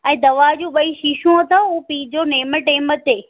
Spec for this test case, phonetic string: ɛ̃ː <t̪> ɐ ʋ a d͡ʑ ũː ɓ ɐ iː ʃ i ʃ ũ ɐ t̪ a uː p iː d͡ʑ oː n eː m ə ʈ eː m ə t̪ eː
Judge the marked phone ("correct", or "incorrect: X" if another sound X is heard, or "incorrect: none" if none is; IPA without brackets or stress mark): incorrect: d̪